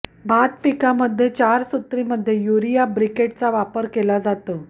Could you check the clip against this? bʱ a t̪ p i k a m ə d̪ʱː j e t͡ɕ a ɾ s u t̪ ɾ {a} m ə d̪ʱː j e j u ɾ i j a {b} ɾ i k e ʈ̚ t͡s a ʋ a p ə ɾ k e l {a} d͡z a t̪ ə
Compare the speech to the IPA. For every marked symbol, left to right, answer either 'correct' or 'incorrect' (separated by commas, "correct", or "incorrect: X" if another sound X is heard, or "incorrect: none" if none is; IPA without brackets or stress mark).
incorrect: i, correct, correct